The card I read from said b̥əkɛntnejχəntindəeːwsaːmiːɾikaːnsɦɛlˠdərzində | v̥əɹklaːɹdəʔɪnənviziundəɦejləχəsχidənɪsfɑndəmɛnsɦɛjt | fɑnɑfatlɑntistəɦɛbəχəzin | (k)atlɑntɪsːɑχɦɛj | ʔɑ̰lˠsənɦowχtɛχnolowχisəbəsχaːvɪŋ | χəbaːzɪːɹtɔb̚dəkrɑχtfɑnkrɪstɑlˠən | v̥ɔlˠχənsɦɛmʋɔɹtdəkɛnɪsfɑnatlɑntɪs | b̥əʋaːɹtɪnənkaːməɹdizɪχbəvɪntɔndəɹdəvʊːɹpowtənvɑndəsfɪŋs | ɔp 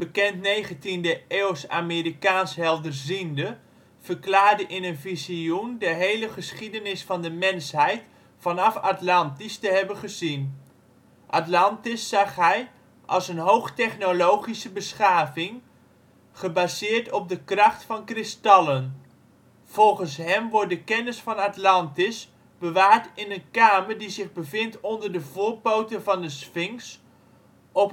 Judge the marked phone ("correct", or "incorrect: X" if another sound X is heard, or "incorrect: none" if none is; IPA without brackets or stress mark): incorrect: ʔ